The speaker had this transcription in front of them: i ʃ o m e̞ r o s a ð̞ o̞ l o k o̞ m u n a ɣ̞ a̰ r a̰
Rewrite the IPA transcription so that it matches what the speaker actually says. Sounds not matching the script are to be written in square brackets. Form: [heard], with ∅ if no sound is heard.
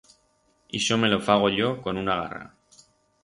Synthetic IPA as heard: i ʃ o m e̞ [l] o [f] a [ɣ̞] o̞ [ʎ] o k o̞ [n] u n a ɣ̞ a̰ r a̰